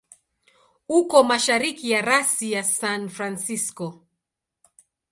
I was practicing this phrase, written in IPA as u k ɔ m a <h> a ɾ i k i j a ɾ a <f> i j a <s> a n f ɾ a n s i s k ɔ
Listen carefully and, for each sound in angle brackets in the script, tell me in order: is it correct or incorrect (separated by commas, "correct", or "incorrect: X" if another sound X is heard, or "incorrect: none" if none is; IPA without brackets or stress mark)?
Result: incorrect: ʃ, incorrect: s, correct